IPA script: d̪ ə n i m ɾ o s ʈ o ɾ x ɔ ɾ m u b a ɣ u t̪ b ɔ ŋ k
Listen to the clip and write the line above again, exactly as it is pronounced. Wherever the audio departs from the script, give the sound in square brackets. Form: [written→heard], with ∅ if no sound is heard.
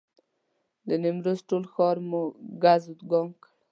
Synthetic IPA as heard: d̪ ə n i m ɾ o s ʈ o [ɾ→l] x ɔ ɾ m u [b→ɡ] a [ɣ→z] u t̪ [b→ɡ] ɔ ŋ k

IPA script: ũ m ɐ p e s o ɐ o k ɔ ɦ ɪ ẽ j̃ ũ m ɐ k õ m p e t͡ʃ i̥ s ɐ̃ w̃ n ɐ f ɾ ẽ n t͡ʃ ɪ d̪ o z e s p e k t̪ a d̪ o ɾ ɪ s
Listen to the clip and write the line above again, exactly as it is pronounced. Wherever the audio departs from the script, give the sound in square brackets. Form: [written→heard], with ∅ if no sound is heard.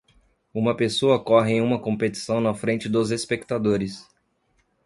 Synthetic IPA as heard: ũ m ɐ p e s o ɐ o k ɔ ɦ ɪ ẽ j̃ ũ m ɐ k õ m p e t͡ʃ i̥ s ɐ̃ w̃ n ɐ f ɾ ẽ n t͡ʃ ɪ d̪ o z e s p e k t̪ a d̪ o ɾ ɪ s

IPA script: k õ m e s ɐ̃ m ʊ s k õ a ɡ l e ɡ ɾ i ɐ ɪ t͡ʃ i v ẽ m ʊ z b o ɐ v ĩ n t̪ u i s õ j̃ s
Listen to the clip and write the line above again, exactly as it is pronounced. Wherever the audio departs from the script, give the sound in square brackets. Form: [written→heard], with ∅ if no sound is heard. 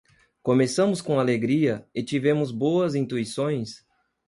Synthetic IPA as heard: k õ m e s ɐ̃ m ʊ s k õ a [ɡ→∅] l e ɡ ɾ i ɐ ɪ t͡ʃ i v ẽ m ʊ z b o ɐ [v→z] ĩ n t̪ u i s õ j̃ s

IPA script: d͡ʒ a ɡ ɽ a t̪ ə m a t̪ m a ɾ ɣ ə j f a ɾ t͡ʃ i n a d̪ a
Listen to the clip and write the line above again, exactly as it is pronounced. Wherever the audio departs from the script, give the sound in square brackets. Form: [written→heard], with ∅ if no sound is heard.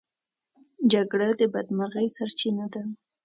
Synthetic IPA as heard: d͡ʒ a ɡ ɽ a [t̪→d̪] ə [m→b] a [t̪→d̪] m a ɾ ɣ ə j [f→s] a ɾ t͡ʃ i n a d̪ a

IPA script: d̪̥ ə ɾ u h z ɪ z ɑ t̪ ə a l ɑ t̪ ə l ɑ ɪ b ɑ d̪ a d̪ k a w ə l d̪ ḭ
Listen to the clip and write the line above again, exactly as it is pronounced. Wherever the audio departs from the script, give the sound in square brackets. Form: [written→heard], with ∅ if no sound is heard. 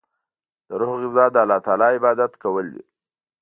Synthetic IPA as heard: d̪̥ ə ɾ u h [z→ɣ] ɪ z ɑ [t̪→d̪] ə a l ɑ t̪ [ə→ɑ] l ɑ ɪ b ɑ d̪ a [d̪→t̪] k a w ə l d̪ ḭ

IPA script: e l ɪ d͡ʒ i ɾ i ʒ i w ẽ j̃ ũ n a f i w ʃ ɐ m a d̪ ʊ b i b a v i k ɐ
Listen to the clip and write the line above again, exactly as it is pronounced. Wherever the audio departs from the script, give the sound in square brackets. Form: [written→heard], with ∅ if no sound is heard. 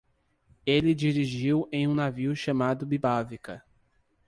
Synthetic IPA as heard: e l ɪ d͡ʒ i ɾ i ʒ i w ẽ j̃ ũ n a [f→v] i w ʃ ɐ m a d̪ ʊ b i b a v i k ɐ

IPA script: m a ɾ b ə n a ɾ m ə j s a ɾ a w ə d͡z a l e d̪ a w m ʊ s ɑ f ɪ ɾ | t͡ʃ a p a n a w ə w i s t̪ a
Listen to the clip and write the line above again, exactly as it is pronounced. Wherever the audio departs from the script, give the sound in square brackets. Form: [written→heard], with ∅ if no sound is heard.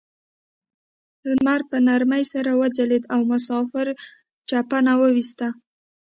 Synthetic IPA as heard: m a ɾ [b→p] ə n a ɾ m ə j s a ɾ a w ə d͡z a l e d̪ a w m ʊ s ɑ f ɪ ɾ | t͡ʃ a p a n a w ə w i s t̪ a

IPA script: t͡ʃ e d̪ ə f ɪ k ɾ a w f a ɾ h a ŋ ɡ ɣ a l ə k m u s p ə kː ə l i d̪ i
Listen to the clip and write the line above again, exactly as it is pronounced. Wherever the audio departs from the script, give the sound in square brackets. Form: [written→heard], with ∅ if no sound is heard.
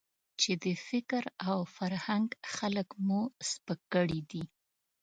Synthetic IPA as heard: t͡ʃ e d̪ ə f ɪ k ɾ a w f a ɾ h a ŋ ɡ [ɣ→x] a l ə k m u s p ə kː ə [l→ɽ] i d̪ i

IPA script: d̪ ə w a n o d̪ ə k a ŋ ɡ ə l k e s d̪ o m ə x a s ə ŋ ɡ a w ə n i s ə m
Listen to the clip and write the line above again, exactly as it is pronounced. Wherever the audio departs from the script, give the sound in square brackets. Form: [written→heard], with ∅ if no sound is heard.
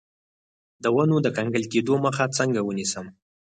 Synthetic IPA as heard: d̪ ə w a n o d̪ ə k a ŋ ɡ ə l k e [s→∅] d̪ o m ə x a [s→t͡s] ə ŋ ɡ a w ə n i s ə m

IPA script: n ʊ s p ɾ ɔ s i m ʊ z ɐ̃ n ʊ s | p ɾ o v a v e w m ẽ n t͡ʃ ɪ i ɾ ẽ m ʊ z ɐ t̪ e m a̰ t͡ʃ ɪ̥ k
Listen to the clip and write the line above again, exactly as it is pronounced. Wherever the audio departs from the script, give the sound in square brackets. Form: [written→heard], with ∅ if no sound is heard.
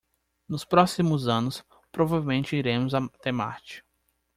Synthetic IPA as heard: n ʊ s p ɾ ɔ s i m ʊ z ɐ̃ n ʊ s | p ɾ o v a v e w m ẽ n t͡ʃ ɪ i ɾ ẽ m ʊ z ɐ t̪ e m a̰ t͡ʃ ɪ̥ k

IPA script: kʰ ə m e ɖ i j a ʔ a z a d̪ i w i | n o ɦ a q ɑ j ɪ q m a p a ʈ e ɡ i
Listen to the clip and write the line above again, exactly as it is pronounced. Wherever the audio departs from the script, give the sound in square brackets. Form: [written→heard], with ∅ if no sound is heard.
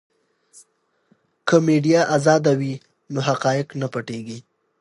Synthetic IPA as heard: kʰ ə m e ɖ i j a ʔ a z [a→ɑ] d̪ [i→a] w i | n o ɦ a q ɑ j ɪ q [m→n] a p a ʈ e ɡ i

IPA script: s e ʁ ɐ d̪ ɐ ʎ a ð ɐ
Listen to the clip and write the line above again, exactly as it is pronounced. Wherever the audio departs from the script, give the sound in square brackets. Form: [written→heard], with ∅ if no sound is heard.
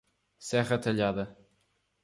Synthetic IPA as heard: s [e→ɛ] ʁ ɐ [d̪→t̪] ɐ ʎ a ð ɐ

